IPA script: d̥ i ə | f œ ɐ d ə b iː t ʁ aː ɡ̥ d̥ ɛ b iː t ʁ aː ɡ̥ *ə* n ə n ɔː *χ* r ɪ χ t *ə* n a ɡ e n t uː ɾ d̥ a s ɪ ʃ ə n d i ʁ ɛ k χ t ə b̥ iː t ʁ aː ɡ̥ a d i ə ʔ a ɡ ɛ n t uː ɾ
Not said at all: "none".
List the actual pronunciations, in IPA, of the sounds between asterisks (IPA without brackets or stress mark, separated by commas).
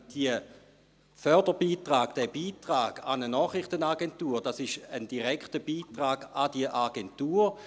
a, χ, ə